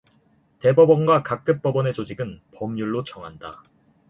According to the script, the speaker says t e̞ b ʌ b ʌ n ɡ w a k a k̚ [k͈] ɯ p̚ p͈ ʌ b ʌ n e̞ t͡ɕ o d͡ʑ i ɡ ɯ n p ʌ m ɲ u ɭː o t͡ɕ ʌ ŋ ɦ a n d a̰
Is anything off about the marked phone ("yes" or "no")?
no